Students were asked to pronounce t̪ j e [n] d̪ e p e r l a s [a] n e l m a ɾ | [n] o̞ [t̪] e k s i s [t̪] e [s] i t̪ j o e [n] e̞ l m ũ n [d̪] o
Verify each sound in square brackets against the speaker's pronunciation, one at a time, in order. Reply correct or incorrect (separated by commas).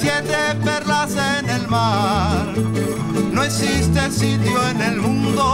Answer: correct, incorrect, correct, incorrect, correct, correct, correct, correct